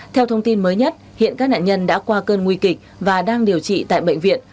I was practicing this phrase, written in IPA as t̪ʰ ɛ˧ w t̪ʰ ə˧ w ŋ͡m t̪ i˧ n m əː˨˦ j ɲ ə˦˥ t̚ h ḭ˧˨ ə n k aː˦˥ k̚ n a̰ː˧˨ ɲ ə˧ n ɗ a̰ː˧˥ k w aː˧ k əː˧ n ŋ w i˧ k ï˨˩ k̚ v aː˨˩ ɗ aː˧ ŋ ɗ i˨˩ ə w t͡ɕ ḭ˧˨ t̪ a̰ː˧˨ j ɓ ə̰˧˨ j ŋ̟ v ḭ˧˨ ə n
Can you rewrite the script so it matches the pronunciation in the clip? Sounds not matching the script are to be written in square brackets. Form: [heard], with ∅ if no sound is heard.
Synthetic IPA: t̪ʰ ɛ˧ w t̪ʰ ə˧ w ŋ͡m t̪ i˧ n m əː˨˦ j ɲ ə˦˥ t̚ h ḭ˧˨ ə n k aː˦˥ k̚ n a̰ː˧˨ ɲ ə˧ n ɗ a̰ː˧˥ k w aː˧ k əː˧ n ŋ w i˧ k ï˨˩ k̚ v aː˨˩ ɗ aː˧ ŋ ɗ i˨˩ ə w t͡ɕ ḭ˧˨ t̪ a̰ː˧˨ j ɓ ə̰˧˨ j ŋ̟ v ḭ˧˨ ə n